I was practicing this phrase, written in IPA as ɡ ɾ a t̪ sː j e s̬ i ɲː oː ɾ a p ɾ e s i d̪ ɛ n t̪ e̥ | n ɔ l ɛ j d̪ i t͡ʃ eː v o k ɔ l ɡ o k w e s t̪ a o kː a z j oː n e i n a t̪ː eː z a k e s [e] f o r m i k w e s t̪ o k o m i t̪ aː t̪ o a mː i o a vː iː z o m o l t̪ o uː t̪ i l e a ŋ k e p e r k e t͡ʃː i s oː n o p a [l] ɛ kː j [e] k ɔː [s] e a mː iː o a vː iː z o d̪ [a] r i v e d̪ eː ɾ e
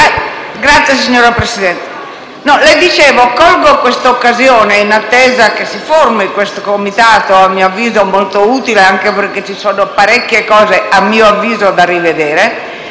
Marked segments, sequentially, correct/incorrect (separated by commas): incorrect, incorrect, correct, incorrect, correct